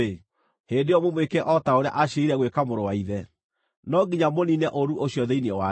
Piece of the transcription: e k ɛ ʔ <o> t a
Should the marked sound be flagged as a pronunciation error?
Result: yes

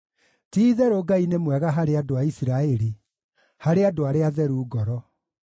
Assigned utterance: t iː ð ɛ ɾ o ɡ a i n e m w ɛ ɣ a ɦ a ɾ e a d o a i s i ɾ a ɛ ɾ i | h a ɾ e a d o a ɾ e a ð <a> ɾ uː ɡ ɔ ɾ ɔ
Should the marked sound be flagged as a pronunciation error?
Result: yes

